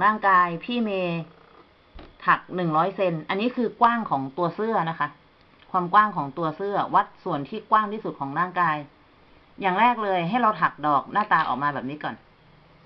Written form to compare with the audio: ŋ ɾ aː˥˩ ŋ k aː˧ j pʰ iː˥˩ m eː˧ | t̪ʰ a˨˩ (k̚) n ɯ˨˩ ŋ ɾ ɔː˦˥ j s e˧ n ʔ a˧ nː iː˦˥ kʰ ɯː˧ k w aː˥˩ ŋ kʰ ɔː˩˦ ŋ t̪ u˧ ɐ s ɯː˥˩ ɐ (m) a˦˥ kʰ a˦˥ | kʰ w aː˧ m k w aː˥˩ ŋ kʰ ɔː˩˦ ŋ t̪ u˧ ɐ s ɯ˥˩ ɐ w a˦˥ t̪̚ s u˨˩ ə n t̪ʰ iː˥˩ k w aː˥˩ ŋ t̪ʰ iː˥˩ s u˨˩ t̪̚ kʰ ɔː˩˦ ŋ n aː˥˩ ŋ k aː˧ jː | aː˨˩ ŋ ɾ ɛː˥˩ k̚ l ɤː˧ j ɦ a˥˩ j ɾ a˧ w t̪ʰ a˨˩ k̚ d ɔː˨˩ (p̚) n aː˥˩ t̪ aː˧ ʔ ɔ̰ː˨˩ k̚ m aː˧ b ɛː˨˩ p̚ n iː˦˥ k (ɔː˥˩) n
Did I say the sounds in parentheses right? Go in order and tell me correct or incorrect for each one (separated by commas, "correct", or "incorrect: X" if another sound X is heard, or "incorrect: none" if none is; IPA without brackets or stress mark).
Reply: correct, incorrect: n, incorrect: k̚, incorrect: ɔː˨˩